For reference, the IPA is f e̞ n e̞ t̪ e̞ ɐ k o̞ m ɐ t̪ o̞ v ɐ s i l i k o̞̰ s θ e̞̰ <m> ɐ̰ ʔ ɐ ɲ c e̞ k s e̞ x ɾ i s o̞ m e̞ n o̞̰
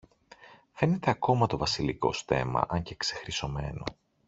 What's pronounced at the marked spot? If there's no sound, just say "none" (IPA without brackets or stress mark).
m